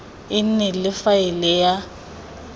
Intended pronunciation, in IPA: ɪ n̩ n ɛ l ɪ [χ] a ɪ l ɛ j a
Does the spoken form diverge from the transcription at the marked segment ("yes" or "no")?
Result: yes